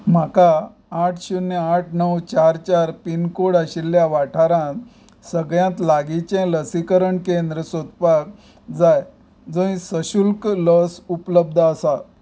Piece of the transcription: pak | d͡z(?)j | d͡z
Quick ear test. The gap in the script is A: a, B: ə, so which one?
A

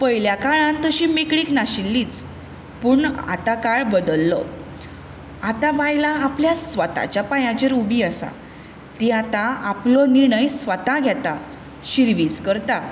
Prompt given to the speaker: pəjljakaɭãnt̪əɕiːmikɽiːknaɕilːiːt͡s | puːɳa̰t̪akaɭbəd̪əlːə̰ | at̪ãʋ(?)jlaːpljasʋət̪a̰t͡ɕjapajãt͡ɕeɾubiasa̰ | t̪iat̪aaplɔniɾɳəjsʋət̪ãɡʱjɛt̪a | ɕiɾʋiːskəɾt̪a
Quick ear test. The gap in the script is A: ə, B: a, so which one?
B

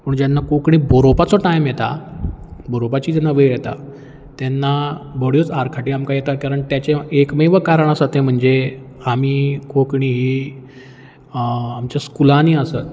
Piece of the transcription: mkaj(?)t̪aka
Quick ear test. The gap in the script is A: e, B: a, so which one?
A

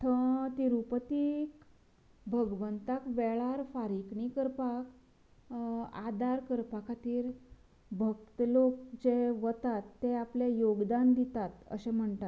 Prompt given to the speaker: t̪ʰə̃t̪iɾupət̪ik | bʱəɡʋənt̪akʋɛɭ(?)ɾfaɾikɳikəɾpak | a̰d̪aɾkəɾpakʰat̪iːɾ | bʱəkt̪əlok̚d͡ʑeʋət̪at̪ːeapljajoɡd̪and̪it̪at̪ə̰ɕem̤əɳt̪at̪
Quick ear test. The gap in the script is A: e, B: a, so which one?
B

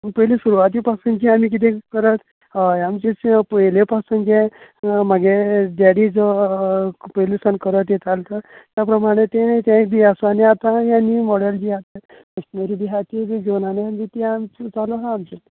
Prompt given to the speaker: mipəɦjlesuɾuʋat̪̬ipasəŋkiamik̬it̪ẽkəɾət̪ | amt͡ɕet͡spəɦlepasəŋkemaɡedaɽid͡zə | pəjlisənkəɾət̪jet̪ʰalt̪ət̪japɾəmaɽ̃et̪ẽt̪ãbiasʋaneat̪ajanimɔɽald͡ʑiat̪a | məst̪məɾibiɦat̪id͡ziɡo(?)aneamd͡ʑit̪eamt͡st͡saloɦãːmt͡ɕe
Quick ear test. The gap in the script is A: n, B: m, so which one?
A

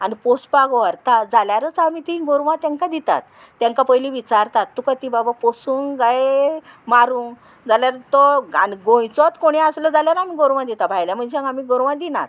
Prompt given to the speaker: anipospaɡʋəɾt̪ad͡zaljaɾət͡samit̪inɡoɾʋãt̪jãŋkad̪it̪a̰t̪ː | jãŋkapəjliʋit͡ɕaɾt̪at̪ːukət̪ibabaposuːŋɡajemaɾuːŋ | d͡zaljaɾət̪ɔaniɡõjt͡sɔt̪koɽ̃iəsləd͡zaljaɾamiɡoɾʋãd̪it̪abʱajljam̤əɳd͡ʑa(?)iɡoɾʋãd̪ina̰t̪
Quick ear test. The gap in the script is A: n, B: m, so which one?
B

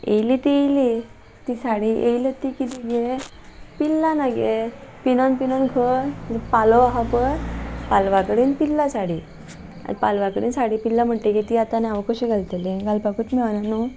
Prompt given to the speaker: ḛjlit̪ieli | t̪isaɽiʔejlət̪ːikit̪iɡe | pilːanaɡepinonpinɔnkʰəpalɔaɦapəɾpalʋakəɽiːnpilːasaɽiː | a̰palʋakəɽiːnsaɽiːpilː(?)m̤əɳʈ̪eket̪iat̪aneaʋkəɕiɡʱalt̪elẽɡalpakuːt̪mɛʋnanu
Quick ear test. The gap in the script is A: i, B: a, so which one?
B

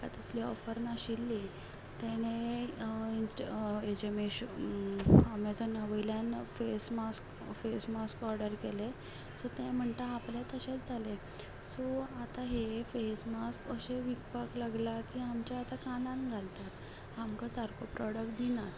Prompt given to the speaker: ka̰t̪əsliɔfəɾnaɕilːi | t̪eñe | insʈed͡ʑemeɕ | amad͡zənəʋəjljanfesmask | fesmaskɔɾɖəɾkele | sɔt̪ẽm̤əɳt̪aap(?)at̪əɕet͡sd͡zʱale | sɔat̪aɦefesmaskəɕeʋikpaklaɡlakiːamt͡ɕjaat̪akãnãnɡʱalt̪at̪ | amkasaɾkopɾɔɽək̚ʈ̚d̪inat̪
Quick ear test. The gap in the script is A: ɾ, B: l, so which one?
B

